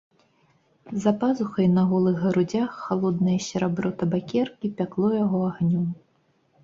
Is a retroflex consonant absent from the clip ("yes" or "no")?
yes